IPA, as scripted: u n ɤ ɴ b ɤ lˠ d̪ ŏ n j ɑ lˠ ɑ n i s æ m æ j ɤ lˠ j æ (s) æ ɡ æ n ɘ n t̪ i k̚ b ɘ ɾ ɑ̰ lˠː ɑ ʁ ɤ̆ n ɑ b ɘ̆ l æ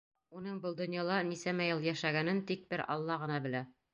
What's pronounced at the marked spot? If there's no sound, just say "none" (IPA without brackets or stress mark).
ʃ